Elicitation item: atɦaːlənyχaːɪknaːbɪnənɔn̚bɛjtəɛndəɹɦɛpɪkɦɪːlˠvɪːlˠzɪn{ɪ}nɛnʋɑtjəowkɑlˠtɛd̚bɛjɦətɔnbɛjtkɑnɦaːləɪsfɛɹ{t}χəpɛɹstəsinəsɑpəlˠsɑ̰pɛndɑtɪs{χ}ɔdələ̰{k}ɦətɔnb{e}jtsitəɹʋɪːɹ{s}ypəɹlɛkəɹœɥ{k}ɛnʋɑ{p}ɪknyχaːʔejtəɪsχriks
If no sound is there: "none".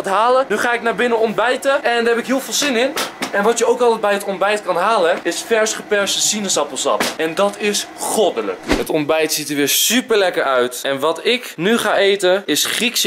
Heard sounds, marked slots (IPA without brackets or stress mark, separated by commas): ɪ, s, χ, k, ɛ, s, t, t